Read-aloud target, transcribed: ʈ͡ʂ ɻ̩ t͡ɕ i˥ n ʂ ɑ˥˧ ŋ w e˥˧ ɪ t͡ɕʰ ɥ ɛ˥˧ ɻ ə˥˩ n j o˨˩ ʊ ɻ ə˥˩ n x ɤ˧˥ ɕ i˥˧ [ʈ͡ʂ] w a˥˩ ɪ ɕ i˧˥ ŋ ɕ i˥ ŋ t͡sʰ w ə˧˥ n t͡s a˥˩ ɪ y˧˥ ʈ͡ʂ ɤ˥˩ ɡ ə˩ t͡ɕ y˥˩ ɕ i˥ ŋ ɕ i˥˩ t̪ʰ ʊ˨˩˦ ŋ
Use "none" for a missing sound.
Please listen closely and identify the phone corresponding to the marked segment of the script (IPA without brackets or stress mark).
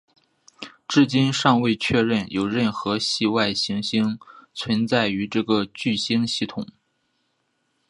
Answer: none